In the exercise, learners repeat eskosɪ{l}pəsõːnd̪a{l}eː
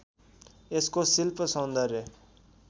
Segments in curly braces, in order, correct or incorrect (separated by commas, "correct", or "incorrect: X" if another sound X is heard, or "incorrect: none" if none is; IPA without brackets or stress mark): correct, incorrect: ɾ